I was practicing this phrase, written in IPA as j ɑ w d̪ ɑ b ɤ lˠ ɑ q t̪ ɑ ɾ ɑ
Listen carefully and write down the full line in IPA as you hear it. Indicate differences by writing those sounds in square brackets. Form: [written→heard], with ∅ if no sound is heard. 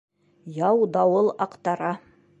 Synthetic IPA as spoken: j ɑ w d̪ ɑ [b→w] ɤ lˠ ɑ q t̪ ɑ ɾ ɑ